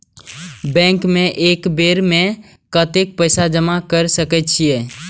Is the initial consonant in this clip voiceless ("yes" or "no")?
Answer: no